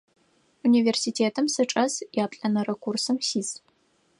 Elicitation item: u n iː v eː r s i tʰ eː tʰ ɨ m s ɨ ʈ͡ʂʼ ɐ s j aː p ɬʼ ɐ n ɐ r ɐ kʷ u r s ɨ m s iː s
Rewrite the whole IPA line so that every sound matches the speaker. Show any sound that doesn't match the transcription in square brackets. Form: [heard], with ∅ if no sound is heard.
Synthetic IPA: u n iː v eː r s i tʰ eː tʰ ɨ m s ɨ ʈ͡ʂʼ ɐ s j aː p ɬʼ ɐ n ɐ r ɐ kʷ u r s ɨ m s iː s